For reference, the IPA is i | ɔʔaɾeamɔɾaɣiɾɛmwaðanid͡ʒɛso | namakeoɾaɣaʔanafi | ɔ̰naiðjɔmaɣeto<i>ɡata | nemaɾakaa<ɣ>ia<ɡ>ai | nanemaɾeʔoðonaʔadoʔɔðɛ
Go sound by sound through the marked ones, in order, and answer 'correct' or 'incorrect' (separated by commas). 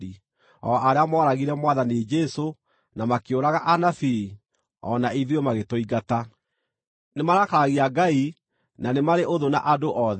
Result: correct, correct, correct